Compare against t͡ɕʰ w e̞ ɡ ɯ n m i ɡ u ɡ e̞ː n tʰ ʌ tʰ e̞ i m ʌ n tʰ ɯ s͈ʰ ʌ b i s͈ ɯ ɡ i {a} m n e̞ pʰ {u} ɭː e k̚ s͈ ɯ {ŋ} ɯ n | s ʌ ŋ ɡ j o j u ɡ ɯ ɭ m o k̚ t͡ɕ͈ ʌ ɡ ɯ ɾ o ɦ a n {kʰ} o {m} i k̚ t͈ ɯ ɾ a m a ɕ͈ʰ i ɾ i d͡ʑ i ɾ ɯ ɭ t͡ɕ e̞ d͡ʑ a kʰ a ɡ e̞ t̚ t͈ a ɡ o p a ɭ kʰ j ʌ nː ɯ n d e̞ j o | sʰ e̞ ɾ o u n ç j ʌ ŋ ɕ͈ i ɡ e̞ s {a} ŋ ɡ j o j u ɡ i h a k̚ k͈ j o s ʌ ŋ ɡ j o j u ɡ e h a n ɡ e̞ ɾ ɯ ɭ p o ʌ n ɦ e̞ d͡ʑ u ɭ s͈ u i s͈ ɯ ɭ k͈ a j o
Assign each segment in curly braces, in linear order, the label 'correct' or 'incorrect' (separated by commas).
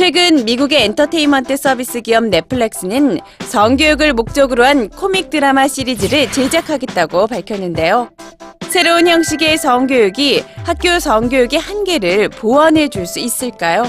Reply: incorrect, incorrect, incorrect, correct, correct, incorrect